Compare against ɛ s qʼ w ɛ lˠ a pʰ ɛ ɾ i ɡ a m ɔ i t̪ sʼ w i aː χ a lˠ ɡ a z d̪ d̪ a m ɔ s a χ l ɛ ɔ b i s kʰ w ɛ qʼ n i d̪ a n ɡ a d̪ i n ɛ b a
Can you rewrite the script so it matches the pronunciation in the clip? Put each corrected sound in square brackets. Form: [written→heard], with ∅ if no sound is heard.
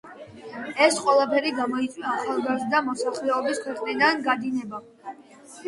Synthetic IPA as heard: ɛ s qʼ w ɛ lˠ a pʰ ɛ ɾ i ɡ a m ɔ i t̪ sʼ w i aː χ a lˠ ɡ a z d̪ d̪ a m ɔ s a χ l ɛ ɔ b i s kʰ w ɛ qʼ n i d̪ a n ɡ a d̪ i n ɛ b a